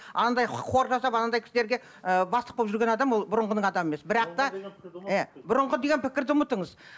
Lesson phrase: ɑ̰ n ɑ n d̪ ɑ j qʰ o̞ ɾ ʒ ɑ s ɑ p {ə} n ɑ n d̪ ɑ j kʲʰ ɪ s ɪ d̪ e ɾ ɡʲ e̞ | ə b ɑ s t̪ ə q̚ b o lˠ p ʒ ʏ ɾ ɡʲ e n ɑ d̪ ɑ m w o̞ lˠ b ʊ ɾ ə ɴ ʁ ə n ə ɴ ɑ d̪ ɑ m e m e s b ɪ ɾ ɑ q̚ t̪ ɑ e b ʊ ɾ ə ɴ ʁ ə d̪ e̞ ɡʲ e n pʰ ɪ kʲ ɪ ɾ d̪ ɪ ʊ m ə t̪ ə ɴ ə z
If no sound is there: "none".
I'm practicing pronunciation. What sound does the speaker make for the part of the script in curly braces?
ɑ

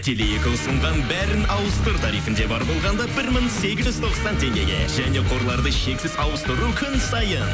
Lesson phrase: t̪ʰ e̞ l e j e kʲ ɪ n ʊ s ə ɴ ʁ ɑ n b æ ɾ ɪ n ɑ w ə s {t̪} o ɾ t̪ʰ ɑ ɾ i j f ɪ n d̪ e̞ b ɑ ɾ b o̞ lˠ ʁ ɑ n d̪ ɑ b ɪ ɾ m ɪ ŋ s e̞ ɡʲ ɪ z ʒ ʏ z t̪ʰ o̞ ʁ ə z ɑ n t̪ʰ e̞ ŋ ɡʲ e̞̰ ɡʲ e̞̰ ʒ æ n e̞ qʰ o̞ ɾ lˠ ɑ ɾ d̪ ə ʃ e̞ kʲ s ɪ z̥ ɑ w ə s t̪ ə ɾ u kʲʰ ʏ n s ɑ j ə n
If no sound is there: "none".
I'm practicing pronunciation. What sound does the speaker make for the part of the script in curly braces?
t̪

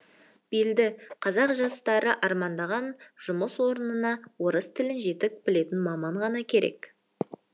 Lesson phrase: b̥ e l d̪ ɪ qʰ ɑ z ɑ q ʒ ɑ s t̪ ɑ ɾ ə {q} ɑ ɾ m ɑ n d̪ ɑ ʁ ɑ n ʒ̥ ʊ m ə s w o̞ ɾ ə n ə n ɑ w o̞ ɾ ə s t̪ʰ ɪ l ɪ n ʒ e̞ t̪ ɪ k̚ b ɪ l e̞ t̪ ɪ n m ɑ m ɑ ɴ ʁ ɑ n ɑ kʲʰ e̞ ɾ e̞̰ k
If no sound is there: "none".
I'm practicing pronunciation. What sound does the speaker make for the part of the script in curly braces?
ʔ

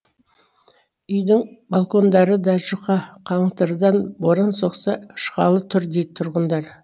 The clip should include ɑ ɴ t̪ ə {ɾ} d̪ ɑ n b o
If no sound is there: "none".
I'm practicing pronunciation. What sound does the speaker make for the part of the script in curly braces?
ɾ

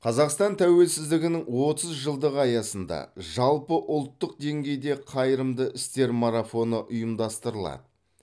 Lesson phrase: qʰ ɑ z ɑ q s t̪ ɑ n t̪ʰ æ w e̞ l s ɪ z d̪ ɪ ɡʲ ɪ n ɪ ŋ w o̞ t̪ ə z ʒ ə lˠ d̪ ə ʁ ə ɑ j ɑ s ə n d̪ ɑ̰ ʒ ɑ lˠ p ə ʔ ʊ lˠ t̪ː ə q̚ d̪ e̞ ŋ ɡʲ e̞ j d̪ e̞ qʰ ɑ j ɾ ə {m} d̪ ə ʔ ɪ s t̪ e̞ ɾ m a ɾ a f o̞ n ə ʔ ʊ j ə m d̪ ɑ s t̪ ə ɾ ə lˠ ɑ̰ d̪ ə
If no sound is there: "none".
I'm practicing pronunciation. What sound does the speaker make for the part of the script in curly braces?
m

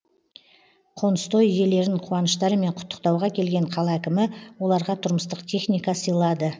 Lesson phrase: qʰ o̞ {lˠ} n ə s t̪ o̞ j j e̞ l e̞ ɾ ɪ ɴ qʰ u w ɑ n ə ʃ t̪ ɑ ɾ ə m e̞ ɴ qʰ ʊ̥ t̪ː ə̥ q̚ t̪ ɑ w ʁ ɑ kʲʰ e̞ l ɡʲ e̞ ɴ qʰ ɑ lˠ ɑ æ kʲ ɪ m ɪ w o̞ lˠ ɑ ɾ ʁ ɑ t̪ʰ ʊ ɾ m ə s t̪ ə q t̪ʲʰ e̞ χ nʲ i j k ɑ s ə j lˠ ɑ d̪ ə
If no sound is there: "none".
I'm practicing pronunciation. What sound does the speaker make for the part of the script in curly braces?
none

